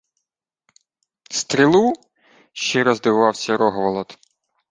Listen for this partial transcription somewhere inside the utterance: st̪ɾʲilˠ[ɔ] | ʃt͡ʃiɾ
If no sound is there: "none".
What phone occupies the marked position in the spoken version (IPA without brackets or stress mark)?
u